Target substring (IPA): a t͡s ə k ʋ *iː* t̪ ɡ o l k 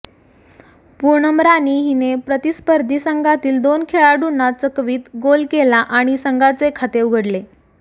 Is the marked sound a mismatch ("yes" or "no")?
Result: no